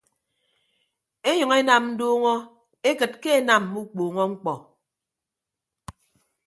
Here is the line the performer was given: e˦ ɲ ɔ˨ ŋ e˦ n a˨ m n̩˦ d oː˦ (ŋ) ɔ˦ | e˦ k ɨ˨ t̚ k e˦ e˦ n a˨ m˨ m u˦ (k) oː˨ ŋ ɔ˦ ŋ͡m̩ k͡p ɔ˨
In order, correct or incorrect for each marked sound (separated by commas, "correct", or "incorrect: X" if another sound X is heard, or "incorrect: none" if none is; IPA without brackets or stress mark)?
correct, incorrect: k͡p